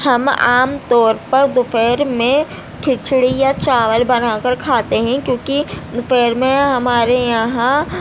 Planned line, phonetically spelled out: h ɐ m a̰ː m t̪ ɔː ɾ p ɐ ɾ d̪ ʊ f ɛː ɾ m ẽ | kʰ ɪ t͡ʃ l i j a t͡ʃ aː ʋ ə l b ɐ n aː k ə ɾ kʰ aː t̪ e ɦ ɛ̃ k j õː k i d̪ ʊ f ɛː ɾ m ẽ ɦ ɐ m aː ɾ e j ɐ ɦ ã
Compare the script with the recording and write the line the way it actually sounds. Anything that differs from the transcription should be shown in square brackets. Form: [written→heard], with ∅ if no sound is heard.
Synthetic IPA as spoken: h ɐ m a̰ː m t̪ ɔː ɾ p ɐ ɾ d̪ ʊ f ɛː ɾ m ẽ | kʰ ɪ t͡ʃ [l→ɽ] i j a t͡ʃ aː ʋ ə l b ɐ n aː k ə ɾ kʰ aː t̪ e ɦ ɛ̃ k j õː k i d̪ ʊ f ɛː ɾ m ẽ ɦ ɐ m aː ɾ e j ɐ ɦ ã

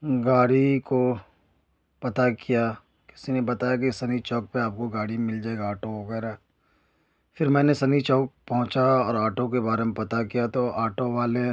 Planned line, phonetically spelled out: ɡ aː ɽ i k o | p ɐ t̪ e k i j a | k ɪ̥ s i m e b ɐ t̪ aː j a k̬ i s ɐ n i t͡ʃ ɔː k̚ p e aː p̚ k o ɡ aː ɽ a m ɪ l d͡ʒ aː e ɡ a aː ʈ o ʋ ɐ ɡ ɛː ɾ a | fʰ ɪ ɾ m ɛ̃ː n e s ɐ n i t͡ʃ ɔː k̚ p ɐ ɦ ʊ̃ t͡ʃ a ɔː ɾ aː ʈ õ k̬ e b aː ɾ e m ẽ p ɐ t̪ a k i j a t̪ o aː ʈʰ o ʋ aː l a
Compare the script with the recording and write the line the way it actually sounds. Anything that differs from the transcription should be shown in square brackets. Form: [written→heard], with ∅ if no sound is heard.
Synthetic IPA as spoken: ɡ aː ɽ i k o | p ɐ t̪ [e→a] k i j a | k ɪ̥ s i [m→n] e b ɐ t̪ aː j a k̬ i s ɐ n i t͡ʃ ɔː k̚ p e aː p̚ k o ɡ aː ɽ [a→i] m ɪ l d͡ʒ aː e ɡ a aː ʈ o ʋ ɐ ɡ ɛː ɾ a | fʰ ɪ ɾ m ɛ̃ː n e s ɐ n i t͡ʃ ɔː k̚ p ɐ ɦ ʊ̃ t͡ʃ a ɔː ɾ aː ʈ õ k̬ e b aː ɾ e m ẽ p ɐ t̪ a k i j a t̪ o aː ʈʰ o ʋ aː l [a→e]

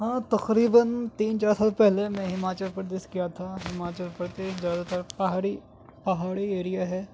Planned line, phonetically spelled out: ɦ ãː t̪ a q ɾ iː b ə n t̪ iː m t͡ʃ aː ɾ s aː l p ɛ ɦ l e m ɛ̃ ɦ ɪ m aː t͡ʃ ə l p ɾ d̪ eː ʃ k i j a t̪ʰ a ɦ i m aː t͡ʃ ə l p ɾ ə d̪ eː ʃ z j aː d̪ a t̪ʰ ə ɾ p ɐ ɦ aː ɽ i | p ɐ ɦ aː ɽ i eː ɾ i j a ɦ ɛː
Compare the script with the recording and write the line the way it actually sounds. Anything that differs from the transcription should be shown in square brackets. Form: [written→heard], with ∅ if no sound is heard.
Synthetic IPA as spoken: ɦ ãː t̪ [a→ɐ] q ɾ iː b ə n t̪ iː [m→n] t͡ʃ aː ɾ s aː l p ɛ ɦ l e m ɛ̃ ɦ ɪ m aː t͡ʃ ə l p ɾ d̪ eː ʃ k i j a t̪ʰ a ɦ [i→ɪ] m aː t͡ʃ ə l p ɾ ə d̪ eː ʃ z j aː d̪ a [t̪ʰ→t̪] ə ɾ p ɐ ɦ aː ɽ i | p ɐ ɦ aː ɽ i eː ɾ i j a ɦ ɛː

